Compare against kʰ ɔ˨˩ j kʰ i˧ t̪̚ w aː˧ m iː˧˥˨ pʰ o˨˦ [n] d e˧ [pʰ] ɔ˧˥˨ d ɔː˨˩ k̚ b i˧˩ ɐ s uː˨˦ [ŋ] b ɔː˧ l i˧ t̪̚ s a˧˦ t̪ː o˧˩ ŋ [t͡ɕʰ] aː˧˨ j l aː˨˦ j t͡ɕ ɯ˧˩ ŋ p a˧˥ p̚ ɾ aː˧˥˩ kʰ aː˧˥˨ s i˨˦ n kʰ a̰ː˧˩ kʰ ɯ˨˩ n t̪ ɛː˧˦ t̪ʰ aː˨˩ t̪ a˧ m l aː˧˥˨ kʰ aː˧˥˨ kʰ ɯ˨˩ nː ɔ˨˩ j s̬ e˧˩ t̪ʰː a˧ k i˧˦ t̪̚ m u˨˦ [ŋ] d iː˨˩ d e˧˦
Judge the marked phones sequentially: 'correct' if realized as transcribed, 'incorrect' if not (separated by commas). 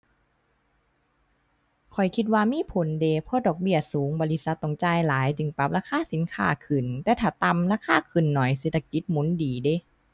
correct, correct, correct, incorrect, incorrect